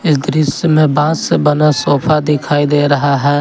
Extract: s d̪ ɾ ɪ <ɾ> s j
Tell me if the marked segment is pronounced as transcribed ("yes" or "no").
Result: no